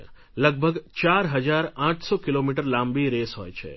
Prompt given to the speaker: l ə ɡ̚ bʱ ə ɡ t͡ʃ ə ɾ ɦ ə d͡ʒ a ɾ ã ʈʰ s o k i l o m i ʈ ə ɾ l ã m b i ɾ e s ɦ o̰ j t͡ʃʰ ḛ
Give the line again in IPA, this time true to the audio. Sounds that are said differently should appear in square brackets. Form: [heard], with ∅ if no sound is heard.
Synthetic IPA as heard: l ə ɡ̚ bʱ ə ɡ t͡ʃ [a] ɾ ɦ ə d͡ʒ a ɾ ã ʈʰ s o k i l o m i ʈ ə ɾ l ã m b i ɾ e s ɦ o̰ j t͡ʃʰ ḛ